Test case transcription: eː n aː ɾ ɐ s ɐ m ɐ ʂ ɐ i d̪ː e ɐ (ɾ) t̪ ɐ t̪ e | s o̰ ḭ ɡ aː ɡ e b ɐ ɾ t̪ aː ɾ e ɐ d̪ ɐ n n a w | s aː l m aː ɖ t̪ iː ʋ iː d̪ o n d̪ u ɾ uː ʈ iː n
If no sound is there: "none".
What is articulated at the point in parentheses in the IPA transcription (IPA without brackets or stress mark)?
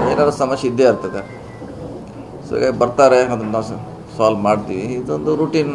ɾ